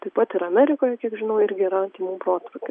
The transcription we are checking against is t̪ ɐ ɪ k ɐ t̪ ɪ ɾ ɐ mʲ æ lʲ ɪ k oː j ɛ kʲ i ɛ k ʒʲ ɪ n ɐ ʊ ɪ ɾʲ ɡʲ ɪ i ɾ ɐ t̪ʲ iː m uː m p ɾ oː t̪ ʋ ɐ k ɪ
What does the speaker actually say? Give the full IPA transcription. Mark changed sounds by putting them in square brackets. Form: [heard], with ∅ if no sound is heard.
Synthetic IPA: t̪ ɐ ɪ [p] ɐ t̪ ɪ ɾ ɐ mʲ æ [ɾʲ] ɪ k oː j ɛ kʲ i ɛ k ʒʲ ɪ n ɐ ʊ ɪ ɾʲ ɡʲ ɪ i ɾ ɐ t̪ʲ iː m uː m p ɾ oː t̪ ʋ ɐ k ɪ